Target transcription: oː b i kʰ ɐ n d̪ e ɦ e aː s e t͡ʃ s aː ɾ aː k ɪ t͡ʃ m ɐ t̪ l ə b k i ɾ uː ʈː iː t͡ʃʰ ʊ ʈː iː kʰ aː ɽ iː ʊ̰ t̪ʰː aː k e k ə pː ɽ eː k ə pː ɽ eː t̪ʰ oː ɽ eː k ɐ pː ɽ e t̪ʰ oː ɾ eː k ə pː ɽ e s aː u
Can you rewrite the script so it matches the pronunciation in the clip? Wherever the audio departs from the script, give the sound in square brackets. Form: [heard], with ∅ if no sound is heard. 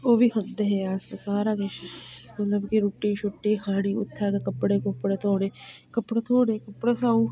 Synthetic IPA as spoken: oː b i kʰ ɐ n d̪ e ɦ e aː s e [∅] s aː ɾ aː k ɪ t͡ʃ m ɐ t̪ l ə b k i ɾ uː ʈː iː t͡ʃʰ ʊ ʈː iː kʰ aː ɽ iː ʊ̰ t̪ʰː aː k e k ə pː ɽ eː k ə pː ɽ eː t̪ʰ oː ɽ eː k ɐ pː ɽ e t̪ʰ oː [ɽ] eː k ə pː ɽ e s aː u